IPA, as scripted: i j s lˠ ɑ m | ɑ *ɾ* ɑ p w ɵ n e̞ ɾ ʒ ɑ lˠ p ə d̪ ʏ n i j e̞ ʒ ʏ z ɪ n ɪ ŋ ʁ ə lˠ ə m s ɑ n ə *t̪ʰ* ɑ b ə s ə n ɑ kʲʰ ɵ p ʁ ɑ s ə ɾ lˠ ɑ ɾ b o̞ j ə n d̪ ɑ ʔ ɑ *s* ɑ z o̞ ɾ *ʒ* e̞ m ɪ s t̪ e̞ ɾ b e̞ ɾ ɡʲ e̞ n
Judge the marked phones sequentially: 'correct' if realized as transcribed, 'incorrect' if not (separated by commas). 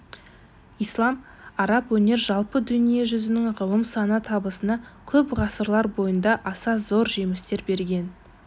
correct, correct, correct, correct